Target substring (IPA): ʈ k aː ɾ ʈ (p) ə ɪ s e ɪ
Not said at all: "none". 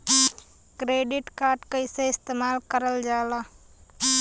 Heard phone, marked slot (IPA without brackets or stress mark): k